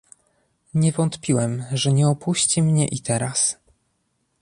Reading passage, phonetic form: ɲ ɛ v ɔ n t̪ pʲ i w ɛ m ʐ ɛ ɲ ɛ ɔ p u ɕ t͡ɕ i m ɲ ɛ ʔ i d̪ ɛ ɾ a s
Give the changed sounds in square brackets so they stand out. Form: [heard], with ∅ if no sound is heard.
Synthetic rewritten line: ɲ ɛ v ɔ n t̪ pʲ i w ɛ m ʐ ɛ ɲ ɛ ɔ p u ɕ t͡ɕ i m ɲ ɛ ʔ i [t̪] ɛ ɾ a s